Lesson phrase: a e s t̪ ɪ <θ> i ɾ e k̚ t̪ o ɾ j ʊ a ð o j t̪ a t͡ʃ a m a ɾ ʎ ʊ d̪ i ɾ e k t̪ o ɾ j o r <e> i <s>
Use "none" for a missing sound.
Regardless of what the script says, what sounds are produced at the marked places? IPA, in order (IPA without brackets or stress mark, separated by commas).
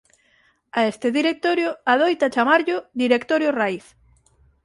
ð, a, θ